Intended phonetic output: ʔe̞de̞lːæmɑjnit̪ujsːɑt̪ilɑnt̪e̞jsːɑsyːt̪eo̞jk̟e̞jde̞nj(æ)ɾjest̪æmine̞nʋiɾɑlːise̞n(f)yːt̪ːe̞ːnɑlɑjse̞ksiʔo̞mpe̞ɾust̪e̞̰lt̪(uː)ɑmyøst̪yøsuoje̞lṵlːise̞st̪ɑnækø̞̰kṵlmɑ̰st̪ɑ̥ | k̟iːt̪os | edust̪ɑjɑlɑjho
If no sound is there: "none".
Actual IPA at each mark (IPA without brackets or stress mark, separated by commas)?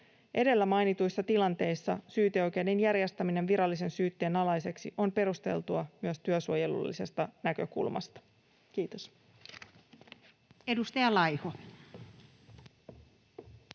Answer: æ, s, u